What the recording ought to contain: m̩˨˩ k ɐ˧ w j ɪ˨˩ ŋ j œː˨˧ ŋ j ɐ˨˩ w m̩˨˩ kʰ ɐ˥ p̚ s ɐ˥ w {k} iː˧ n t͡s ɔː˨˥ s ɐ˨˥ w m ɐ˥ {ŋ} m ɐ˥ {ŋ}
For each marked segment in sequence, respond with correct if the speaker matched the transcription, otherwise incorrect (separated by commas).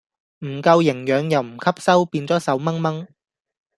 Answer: incorrect, correct, correct